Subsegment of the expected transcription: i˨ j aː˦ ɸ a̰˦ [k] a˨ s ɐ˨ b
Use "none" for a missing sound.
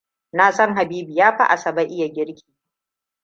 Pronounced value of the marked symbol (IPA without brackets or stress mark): ʔ